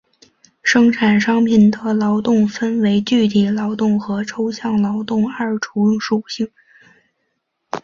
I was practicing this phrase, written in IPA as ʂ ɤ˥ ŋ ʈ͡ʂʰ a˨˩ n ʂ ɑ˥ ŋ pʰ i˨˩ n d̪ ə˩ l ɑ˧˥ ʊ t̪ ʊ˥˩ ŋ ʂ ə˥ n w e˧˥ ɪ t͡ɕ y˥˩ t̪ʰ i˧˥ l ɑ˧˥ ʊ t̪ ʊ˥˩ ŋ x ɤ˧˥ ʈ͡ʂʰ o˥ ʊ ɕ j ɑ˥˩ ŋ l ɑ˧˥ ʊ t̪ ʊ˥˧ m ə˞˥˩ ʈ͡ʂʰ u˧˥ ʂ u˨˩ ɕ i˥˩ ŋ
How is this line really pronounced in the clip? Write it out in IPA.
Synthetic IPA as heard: ʂ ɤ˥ ŋ ʈ͡ʂʰ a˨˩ n ʂ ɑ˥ ŋ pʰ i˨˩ n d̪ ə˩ l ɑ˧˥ ʊ t̪ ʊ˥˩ ŋ f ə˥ n w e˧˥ ɪ t͡ɕ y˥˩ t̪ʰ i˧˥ l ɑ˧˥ ʊ t̪ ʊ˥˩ ŋ x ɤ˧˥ ʈ͡ʂʰ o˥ ʊ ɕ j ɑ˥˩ ŋ l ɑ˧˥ ʊ t̪ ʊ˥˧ ŋ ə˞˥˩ ʈ͡ʂʰ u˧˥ ʂ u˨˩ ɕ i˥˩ ŋ